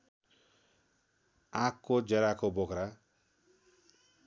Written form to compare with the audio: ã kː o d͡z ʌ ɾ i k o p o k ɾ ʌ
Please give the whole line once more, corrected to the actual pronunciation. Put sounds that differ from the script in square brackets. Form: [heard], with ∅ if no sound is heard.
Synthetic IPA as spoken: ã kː o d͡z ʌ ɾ [a] k o [b] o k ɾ [a]